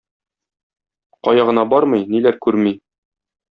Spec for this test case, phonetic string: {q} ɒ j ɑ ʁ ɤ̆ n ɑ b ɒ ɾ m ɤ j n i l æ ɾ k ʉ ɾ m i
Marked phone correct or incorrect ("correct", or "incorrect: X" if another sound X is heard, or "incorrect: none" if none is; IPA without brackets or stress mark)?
correct